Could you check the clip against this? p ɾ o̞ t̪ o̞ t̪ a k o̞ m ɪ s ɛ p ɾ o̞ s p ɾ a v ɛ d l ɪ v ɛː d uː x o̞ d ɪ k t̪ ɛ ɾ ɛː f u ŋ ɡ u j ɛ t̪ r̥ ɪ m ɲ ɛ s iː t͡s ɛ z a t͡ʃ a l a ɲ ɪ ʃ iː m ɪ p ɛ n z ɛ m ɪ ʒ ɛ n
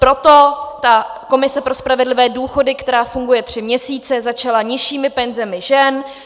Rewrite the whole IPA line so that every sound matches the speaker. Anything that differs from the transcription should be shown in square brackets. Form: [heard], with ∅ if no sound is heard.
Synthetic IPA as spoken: p ɾ o̞ t̪ o̞ t̪ a k o̞ m ɪ s ɛ p ɾ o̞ s p ɾ a v ɛ d l ɪ v ɛː d uː x o̞ d ɪ k t̪ ɛ ɾ [aː] f u ŋ ɡ u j ɛ t̪ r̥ ɪ m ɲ ɛ s iː t͡s ɛ z a t͡ʃ a l a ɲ ɪ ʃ iː m ɪ p ɛ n z ɛ m ɪ ʒ ɛ n